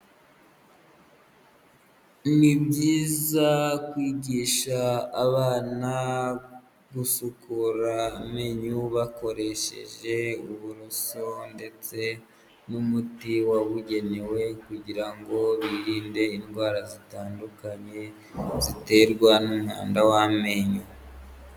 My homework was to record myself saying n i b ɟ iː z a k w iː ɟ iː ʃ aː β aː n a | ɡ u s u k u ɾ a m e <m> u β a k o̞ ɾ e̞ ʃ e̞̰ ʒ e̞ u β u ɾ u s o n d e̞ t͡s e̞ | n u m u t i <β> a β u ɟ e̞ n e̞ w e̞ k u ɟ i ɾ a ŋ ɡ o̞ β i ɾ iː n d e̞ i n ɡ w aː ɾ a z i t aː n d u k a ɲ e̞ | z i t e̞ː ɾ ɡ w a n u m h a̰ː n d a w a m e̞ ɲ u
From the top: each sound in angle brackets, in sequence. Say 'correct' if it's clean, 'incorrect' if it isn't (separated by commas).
incorrect, incorrect